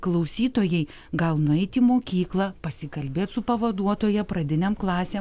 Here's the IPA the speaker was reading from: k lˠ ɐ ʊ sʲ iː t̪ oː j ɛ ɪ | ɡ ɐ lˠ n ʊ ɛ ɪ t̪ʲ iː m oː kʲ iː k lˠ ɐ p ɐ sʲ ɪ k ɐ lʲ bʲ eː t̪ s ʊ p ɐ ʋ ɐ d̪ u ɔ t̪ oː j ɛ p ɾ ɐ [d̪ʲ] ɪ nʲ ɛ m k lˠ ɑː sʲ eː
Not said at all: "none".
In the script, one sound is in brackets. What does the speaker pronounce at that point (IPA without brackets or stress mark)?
d̪ʲ